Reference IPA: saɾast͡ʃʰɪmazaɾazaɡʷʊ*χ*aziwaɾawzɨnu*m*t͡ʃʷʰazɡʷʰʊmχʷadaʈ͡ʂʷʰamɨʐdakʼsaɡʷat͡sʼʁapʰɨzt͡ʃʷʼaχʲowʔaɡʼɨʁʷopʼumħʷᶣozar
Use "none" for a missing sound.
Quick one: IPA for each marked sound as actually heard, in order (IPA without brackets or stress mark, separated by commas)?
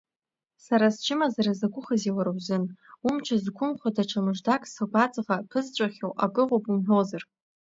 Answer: χ, m